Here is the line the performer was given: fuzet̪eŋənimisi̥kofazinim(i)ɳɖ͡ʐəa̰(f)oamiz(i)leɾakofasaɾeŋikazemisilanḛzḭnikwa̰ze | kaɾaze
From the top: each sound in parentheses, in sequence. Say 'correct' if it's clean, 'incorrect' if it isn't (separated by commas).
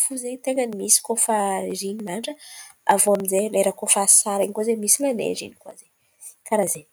incorrect, incorrect, incorrect